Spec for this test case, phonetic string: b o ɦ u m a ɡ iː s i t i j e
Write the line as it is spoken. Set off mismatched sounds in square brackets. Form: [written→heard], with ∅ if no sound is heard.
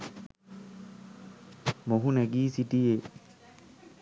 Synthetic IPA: [b→m] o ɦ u [m→n] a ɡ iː s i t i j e

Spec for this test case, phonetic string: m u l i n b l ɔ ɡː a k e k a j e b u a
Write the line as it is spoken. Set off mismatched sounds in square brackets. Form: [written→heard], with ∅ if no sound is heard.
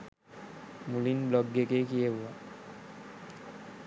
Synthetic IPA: m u l i n b l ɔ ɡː [a→e] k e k [a→i] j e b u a

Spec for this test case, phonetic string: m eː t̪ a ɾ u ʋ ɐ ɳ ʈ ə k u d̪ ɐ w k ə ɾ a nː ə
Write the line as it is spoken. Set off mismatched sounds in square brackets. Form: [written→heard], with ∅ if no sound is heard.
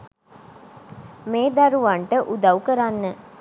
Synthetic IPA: m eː [t̪→d̪] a ɾ u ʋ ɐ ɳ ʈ ə [k→ʔ] u d̪ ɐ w k ə ɾ a nː ə

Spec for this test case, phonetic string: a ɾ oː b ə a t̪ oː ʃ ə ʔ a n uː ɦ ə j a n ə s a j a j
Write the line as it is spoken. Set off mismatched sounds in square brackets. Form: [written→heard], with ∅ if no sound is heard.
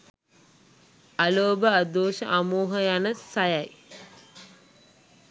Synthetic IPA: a [ɾ→l] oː b ə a [t̪→d̪] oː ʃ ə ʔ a [n→m] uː ɦ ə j a n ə s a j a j

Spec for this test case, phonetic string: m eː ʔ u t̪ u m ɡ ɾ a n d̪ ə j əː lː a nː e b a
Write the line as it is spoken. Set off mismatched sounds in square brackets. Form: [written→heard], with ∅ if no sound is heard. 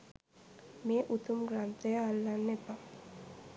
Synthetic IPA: m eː ʔ u t̪ u m ɡ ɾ a n [d̪→t̪] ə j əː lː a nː e [b→p] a

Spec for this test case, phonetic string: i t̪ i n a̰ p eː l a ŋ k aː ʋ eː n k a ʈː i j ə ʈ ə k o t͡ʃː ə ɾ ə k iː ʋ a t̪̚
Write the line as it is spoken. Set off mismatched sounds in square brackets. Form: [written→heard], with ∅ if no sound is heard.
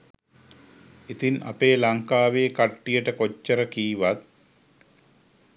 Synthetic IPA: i t̪ i n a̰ p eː l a ŋ k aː ʋ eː [n→∅] k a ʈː i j ə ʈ ə k o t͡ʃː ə ɾ ə k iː ʋ a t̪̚

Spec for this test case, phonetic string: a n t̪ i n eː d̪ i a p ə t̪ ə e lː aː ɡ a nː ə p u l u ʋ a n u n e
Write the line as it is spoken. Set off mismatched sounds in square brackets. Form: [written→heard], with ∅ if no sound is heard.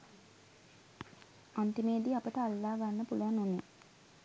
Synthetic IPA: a n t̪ i [n→m] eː d̪ i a p ə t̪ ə [e→a] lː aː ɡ a nː ə p u l u ʋ a n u n e

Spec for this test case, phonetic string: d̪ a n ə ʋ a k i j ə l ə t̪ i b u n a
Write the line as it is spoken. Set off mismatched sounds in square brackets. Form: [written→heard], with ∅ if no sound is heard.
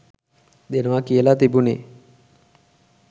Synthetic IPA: d̪ [a→e] n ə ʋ a k i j ə l [ə→a] t̪ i b u n [a→e]

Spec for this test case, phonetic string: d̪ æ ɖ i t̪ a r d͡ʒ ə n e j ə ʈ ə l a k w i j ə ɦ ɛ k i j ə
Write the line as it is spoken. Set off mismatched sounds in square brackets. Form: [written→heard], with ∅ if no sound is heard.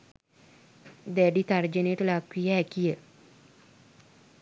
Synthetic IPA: d̪ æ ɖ i t̪ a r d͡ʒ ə n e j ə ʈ ə l a k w i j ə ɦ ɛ k i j ə

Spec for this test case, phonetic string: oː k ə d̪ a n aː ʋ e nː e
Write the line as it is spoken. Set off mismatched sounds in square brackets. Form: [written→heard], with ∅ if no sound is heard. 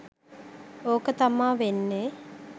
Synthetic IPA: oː k ə [d̪→t̪] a [n→m] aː ʋ e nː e

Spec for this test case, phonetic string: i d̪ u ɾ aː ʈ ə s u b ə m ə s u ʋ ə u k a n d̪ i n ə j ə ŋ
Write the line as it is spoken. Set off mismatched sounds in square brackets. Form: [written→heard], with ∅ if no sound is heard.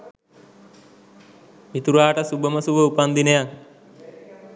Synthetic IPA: i [d̪→t̪] u ɾ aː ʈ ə s u b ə m ə s u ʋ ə u [k→p] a n d̪ i n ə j [ə→a] ŋ

